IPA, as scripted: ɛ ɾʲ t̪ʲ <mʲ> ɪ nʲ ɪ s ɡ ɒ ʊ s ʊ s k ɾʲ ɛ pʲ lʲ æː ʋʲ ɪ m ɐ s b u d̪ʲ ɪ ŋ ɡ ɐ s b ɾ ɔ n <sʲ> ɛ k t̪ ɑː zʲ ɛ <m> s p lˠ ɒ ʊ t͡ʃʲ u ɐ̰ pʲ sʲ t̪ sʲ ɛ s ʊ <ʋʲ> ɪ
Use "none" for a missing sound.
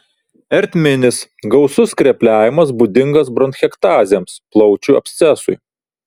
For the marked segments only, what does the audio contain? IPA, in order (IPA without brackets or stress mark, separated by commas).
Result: mʲ, xʲ, m, none